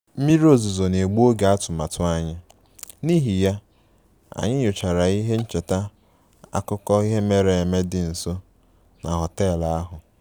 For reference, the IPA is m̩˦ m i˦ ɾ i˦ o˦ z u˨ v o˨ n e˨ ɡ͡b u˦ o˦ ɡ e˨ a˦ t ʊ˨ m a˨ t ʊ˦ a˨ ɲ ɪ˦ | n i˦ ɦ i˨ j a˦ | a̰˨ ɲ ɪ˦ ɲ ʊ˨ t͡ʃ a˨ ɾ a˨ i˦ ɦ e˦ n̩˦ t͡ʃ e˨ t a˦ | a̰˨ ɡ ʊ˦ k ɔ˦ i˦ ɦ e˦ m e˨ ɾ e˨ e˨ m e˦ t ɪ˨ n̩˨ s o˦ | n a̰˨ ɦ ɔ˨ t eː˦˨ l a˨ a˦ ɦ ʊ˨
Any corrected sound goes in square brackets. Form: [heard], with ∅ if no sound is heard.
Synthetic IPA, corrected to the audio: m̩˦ m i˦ ɾ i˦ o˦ z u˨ [z] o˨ n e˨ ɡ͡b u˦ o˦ ɡ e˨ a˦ t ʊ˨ m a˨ t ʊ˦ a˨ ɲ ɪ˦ | n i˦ ɦ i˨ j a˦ | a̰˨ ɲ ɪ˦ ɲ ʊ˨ t͡ʃ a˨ ɾ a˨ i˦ ɦ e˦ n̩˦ t͡ʃ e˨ t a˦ | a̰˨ [k] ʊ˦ k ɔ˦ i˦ ɦ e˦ m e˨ ɾ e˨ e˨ m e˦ [d] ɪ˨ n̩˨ s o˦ | n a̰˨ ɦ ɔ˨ t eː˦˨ l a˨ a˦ ɦ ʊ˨